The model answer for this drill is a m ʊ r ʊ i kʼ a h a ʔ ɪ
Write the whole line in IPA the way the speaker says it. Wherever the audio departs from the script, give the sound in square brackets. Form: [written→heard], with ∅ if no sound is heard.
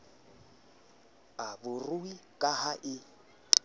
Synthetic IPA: a [m→b] ʊ r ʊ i kʼ a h a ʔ ɪ